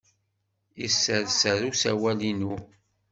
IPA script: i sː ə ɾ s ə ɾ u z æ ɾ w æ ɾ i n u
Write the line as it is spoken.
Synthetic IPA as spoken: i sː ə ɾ s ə ɾ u s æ w æ l i n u